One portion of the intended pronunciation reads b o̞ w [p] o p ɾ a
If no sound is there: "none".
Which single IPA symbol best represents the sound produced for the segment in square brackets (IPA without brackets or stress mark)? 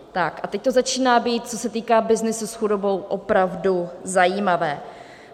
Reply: ʔ